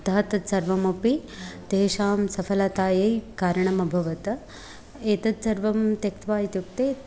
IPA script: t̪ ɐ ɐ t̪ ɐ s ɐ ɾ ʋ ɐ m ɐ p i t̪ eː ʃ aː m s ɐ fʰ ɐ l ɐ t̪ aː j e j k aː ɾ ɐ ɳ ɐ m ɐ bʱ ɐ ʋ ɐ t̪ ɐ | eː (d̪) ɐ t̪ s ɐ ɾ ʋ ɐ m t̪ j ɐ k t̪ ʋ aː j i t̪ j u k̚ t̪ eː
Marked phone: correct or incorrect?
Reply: incorrect: t̪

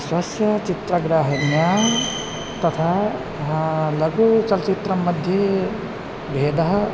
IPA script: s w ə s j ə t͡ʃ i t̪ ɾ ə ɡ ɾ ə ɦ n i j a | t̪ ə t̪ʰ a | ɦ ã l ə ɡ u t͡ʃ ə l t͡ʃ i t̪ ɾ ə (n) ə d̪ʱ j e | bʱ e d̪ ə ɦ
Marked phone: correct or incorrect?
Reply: incorrect: m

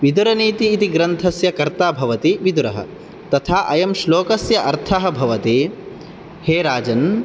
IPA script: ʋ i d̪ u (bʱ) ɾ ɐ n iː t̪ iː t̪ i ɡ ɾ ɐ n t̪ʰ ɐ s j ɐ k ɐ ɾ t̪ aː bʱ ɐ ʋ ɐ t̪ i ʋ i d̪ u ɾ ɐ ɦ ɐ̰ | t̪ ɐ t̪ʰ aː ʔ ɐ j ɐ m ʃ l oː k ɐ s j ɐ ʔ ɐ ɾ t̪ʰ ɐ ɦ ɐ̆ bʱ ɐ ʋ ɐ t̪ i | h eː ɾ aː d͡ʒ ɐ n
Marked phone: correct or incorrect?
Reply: incorrect: none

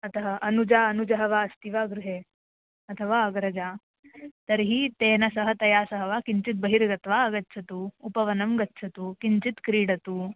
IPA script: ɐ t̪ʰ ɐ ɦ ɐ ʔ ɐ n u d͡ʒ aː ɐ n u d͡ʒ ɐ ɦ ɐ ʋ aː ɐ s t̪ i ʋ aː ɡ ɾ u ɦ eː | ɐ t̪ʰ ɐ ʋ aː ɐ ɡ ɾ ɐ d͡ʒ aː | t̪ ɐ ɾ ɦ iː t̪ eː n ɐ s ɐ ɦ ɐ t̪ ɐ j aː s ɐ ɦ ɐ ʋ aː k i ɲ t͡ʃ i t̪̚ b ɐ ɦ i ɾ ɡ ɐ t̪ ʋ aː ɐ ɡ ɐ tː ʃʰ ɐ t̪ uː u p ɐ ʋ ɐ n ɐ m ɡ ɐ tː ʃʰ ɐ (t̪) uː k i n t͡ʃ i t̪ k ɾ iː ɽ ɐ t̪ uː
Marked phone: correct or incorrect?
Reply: correct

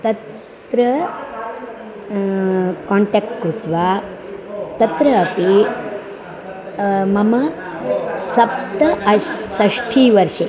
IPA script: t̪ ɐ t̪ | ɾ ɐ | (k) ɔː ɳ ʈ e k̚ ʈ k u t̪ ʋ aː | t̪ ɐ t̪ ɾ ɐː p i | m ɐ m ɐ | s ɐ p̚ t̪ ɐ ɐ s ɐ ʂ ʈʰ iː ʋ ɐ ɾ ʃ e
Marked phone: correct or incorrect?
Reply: correct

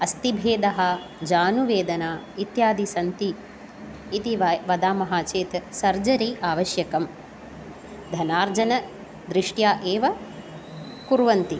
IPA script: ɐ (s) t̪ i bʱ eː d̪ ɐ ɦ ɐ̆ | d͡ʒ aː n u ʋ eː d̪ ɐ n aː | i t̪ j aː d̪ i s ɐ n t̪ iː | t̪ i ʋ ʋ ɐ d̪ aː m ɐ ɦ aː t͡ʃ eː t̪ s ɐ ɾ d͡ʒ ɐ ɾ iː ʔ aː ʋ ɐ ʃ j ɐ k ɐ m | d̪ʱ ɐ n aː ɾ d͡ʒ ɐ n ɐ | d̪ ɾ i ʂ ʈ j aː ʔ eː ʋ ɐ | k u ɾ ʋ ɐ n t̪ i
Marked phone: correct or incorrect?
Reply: correct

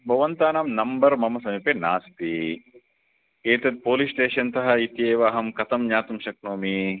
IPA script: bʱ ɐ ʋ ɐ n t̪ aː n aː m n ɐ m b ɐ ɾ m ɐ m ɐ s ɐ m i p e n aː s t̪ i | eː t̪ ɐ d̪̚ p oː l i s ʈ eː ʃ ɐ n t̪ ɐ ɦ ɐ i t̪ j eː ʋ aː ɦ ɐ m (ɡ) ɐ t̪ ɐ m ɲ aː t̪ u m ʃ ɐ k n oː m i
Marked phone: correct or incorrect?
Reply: incorrect: k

